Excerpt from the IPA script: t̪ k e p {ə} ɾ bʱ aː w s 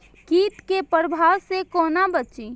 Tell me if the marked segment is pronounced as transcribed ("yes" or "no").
yes